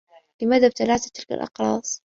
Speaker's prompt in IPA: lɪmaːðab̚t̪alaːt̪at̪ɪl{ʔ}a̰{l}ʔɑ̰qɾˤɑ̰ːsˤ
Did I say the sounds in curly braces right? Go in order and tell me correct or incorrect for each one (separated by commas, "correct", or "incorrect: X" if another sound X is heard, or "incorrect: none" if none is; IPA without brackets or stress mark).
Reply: incorrect: k, correct